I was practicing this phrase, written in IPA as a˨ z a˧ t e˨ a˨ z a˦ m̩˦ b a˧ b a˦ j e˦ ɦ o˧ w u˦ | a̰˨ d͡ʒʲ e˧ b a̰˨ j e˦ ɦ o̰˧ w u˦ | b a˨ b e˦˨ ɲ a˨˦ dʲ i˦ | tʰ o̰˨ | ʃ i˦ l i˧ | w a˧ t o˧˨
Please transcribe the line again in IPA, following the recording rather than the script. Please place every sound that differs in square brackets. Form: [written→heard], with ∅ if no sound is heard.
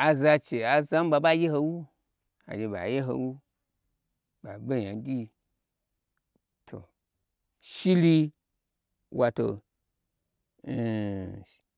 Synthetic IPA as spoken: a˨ z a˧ [t→t͡ʃ] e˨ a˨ z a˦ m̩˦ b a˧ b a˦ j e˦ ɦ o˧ w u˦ | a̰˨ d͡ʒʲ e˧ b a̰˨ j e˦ ɦ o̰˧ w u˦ | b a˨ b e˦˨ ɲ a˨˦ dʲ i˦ | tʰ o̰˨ | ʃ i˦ l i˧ | w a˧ t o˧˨